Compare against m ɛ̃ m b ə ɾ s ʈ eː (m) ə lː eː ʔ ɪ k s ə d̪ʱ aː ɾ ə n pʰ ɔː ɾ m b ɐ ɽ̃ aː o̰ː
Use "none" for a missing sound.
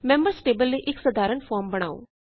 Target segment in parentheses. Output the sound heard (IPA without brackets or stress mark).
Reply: b